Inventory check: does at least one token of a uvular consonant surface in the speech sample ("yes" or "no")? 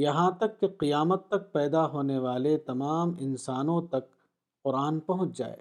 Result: yes